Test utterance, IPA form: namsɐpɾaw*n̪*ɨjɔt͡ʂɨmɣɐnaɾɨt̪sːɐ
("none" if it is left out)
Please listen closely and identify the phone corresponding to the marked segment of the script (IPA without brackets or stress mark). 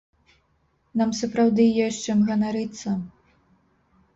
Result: d̪